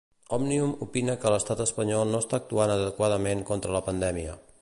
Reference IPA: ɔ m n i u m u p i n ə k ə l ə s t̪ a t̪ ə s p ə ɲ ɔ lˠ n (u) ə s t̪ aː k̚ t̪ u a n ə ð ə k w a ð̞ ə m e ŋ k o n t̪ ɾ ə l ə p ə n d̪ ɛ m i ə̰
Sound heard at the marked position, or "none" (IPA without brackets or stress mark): o